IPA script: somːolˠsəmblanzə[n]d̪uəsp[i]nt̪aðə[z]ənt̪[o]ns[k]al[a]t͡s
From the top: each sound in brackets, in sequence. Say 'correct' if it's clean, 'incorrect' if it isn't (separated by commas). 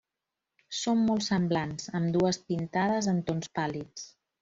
incorrect, correct, correct, correct, incorrect, incorrect